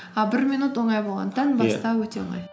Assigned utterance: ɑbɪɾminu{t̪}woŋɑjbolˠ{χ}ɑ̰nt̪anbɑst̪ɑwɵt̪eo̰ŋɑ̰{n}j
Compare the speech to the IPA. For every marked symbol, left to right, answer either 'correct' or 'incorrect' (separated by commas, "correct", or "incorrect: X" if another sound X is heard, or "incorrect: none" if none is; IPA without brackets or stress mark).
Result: correct, incorrect: ʁ, incorrect: none